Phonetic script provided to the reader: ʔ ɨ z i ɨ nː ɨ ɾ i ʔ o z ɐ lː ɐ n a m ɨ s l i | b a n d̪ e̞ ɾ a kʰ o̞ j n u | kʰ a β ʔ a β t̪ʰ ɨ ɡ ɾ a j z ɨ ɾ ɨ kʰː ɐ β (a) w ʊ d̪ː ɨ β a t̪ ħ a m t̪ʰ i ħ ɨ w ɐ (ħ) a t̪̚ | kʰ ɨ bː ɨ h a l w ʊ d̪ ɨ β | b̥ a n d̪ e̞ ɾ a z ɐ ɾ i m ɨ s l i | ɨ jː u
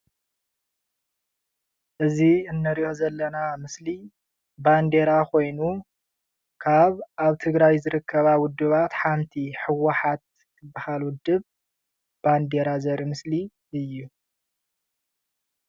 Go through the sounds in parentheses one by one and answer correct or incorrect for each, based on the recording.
correct, correct

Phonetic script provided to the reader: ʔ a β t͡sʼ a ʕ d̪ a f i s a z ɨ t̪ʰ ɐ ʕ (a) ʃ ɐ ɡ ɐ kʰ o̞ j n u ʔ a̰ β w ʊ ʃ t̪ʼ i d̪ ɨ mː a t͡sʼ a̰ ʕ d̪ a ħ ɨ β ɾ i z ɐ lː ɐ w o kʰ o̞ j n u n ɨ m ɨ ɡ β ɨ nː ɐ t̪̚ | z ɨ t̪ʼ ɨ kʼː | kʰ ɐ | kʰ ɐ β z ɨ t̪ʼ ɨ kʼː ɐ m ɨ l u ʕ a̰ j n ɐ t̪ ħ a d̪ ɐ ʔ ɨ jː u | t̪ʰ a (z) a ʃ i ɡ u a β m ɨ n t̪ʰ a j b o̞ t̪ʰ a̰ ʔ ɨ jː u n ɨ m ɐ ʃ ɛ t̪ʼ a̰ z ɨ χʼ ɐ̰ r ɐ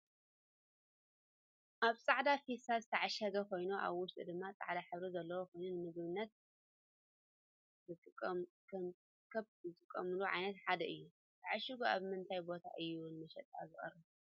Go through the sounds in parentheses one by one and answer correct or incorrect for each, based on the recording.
correct, incorrect

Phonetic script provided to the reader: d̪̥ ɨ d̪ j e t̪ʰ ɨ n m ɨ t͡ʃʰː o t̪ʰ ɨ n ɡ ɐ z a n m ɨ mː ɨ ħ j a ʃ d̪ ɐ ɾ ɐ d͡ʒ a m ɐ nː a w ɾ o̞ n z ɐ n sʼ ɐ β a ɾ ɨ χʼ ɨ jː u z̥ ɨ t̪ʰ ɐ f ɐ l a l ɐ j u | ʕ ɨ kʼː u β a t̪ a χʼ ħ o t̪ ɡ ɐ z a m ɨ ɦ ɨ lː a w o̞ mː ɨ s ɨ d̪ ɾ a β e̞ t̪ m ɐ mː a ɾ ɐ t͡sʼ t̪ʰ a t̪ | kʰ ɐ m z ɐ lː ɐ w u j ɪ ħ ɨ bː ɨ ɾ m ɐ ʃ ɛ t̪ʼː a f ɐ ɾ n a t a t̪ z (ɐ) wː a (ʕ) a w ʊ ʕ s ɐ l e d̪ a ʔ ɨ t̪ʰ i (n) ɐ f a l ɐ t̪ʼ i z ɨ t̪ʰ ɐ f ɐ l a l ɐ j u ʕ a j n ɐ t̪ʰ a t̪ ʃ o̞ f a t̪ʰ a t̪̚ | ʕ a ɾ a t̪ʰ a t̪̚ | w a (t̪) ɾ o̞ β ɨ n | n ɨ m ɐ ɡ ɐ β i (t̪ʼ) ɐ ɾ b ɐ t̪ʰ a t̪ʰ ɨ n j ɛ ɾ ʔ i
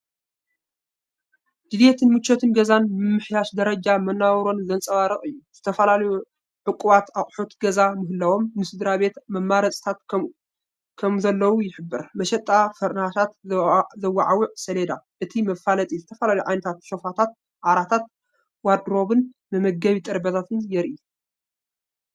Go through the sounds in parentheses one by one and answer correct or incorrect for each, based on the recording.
correct, correct, incorrect, incorrect, correct

